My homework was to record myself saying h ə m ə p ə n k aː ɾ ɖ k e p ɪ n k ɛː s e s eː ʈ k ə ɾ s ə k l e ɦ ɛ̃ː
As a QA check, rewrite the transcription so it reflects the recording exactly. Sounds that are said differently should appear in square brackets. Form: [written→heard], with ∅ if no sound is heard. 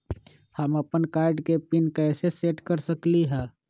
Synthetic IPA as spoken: h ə m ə p ə n k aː ɾ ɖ k e p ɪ n k ɛː s e s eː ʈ k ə ɾ s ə k l [e→i] ɦ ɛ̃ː

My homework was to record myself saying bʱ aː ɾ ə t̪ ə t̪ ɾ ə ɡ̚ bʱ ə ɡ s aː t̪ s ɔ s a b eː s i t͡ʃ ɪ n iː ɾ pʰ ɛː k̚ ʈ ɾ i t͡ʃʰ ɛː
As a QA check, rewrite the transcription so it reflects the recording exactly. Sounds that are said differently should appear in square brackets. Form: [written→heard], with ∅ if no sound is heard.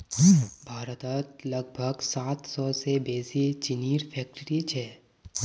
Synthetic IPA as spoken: bʱ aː ɾ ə t̪ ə t̪ [ɾ→l] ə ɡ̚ bʱ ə ɡ s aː t̪ s ɔ s [a→e] b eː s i t͡ʃ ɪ n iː ɾ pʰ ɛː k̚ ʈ ɾ i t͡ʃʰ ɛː

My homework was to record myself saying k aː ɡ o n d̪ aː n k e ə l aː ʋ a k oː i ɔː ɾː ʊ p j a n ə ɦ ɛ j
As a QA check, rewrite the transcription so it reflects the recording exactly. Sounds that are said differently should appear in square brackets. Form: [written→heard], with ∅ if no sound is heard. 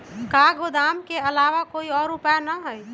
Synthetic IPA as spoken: k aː ɡ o [n→∅] d̪ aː [n→m] k e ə l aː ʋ a k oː i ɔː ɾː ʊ p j a n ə ɦ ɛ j

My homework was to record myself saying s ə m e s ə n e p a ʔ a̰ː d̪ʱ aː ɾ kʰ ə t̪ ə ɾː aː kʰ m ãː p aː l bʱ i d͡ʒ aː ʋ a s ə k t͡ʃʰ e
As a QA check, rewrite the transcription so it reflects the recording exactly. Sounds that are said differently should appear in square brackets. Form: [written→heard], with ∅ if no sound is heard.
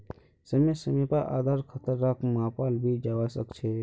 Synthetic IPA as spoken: s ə m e s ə [n→m] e p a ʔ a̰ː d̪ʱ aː ɾ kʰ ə t̪ ə ɾː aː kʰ m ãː p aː l bʱ i d͡ʒ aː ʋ a s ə k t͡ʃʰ e

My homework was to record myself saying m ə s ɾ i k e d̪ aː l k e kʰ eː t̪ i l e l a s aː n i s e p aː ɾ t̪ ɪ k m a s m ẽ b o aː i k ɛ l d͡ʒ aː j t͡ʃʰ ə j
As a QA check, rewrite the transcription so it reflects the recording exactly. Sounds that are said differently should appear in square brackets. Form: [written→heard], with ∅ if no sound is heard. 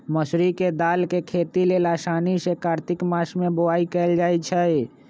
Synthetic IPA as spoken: m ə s ɾ i k e d̪ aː l k e kʰ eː t̪ i l e l a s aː n i s e [p→k] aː ɾ t̪ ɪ k m a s m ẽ b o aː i k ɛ l d͡ʒ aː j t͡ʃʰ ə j

